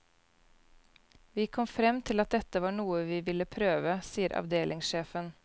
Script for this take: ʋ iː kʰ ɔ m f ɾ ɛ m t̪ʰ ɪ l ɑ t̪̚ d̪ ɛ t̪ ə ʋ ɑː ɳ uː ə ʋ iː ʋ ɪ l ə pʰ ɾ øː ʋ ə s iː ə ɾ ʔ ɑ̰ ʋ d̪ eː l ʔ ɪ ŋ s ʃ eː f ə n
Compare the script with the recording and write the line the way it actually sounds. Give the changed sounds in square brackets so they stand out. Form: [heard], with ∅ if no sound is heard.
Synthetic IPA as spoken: ʋ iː kʰ ɔ m f ɾ ɛ m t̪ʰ ɪ l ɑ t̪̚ d̪ ɛ t̪ ə ʋ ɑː ɳ uː ə ʋ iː ʋ ɪ l ə pʰ ɾ øː ʋ ə s iː ə ɾ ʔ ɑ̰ ʋ d̪ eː l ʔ ɪ ŋ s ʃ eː f ə n